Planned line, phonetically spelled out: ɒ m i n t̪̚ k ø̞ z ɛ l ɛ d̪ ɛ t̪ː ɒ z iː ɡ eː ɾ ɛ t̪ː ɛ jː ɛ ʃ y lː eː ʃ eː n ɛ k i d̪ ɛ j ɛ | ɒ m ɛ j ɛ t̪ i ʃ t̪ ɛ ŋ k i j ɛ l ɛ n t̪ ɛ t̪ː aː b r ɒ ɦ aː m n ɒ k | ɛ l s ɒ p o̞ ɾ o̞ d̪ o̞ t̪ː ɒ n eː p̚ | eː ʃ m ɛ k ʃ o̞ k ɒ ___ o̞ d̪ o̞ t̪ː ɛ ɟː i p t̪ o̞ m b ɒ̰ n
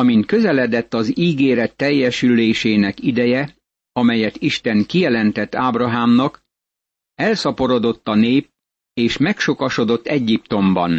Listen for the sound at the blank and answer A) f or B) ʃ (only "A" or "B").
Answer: B